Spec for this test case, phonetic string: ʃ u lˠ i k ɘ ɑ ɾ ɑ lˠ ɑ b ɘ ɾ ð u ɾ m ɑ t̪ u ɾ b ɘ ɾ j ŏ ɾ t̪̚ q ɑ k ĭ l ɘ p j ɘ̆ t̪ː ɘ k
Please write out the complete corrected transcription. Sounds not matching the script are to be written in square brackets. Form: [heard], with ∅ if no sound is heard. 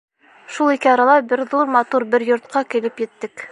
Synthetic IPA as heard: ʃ u lˠ i k ɘ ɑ ɾ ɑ lˠ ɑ b ɘ ɾ ð u ɾ m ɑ t̪ u ɾ b ɘ ɾ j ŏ ɾ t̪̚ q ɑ k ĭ l ɘ p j ɘ̆ t̪ː ɘ k